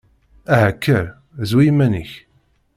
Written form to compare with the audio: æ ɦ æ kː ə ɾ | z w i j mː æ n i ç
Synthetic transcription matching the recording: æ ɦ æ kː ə ɾ | z w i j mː æ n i ç